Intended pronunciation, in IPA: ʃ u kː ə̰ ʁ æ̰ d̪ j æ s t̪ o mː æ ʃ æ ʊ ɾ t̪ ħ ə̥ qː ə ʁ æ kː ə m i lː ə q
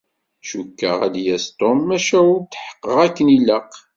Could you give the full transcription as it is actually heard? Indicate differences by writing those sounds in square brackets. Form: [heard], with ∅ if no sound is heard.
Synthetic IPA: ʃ u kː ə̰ ʁ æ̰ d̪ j æ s t̪ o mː æ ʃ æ ʊ ɾ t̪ ħ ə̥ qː ə ʁ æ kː ə [n] i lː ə q